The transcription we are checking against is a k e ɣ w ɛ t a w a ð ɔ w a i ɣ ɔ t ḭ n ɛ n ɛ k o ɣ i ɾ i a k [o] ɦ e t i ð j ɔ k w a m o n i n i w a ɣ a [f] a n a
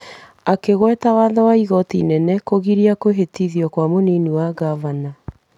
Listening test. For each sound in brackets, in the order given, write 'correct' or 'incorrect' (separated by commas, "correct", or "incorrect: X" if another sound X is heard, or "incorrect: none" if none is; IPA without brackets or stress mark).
correct, incorrect: v